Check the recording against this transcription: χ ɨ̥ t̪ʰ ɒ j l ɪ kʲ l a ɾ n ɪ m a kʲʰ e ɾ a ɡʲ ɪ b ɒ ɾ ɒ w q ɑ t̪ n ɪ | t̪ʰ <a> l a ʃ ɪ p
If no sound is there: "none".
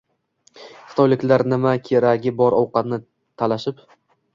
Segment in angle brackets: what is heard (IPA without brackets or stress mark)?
a